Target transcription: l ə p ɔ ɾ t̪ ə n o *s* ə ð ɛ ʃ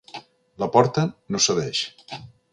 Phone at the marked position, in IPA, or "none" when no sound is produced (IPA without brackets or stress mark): s